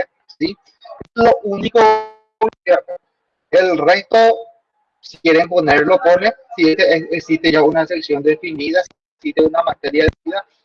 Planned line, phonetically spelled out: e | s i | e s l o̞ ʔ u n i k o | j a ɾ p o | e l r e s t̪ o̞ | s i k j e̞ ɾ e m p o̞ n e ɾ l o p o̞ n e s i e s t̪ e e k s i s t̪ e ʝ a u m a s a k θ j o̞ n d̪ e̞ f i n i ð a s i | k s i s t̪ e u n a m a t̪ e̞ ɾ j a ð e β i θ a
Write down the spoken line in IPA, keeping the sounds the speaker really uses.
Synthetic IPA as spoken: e | s i | e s l o̞ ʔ u n i k o | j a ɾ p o | e l r e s t̪ o̞ | s i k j e̞ ɾ e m p o̞ n e ɾ l o p o̞ n e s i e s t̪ e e k s i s t̪ e ʝ a u n a s e k s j o̞ n d̪ e̞ f i n i ð a s i | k s i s t̪ e u n a m a t̪ e̞ ɾ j a ð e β i ð a